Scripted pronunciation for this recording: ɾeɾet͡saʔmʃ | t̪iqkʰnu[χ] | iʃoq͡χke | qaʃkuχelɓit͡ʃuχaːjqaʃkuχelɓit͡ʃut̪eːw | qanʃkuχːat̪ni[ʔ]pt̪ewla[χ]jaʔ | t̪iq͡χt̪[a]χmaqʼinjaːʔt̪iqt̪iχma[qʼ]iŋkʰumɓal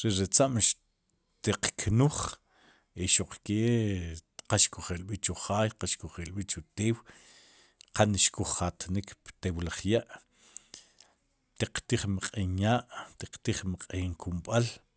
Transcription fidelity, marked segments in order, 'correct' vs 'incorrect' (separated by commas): correct, incorrect, correct, incorrect, correct